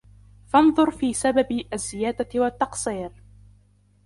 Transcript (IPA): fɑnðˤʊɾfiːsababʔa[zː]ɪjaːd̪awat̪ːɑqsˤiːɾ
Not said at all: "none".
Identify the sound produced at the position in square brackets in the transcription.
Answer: zː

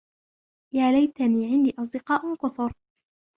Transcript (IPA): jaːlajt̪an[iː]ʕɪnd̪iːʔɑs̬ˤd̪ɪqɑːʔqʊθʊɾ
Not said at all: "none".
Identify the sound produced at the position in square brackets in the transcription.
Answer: iː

